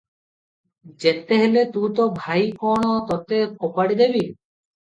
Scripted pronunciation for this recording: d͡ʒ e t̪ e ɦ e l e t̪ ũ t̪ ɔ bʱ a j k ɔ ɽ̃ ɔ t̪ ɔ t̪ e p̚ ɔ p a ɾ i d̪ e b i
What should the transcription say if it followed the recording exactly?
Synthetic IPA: d͡ʒ e t̪ e ɦ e l e t̪ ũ t̪ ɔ bʱ a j k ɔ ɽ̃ ɔ t̪ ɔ t̪ e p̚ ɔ p a ɽ i d̪ e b i